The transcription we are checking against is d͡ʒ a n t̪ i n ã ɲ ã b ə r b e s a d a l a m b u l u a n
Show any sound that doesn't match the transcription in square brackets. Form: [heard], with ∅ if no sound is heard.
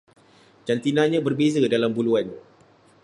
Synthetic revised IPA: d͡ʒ a n t̪ i n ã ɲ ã b ə r b e [z] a d a l a m b u l u a n